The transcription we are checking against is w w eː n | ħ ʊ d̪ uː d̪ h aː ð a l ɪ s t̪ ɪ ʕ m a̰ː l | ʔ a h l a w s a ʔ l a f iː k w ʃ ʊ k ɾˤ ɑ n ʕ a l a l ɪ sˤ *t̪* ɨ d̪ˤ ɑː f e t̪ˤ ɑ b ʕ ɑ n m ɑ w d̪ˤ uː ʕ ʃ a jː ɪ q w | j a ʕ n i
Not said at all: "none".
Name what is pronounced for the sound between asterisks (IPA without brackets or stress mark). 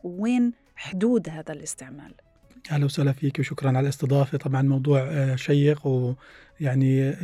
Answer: t̪